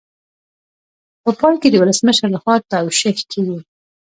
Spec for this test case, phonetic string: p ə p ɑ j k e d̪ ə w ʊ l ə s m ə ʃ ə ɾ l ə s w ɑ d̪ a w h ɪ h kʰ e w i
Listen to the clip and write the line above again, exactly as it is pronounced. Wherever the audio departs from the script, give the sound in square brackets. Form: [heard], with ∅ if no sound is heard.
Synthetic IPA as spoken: p ə p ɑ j k e d̪ ə w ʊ l ə s m ə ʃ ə ɾ l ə [x] w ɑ [t̪] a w [ʃ] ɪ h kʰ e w i